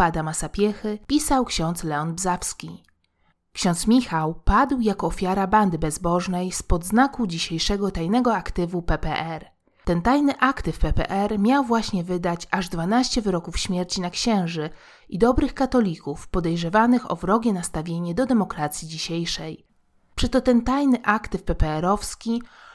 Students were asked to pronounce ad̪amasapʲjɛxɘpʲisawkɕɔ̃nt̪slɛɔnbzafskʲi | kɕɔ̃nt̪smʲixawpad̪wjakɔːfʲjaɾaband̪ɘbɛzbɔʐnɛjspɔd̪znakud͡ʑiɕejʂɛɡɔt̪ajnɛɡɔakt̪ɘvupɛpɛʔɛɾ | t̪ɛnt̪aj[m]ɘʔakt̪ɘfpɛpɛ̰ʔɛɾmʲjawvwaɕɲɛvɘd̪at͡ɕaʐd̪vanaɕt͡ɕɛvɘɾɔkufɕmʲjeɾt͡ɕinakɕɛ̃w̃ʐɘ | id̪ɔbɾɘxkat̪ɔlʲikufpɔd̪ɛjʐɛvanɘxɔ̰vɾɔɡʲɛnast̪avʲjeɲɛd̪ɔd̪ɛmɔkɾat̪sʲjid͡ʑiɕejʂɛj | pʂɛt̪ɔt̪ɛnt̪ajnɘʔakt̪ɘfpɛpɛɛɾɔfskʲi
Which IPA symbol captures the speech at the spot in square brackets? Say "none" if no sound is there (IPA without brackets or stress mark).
n